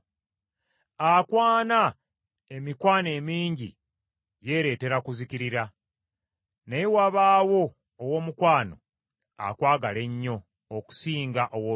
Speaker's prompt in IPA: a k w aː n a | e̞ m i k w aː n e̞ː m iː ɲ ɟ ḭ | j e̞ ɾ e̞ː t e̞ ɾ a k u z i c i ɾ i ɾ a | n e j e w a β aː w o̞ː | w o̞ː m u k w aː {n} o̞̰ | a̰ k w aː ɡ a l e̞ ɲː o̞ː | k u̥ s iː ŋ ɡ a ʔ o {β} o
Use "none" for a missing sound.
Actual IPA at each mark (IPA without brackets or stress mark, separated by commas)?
n, w